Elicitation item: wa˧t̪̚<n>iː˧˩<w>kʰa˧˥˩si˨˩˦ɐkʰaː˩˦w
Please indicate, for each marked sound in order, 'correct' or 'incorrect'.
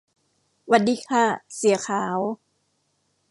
incorrect: d, incorrect: none

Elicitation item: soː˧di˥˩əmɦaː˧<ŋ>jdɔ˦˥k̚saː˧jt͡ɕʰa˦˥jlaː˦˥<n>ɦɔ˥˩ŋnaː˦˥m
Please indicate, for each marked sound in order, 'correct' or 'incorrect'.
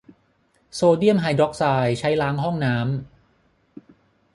incorrect: none, incorrect: ŋ

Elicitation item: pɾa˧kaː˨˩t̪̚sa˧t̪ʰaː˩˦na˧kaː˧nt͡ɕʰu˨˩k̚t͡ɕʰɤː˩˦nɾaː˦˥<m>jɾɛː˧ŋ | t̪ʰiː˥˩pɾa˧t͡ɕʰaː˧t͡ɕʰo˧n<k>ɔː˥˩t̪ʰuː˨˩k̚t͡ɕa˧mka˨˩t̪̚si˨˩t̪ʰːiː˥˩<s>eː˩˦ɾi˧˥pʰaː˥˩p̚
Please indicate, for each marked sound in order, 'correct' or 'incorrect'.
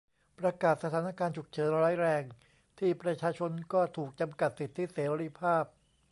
incorrect: none, correct, correct

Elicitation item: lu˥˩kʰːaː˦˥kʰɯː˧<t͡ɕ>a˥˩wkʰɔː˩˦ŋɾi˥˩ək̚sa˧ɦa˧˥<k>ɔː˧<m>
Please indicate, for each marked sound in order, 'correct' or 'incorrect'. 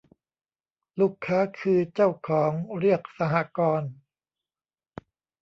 correct, correct, incorrect: n

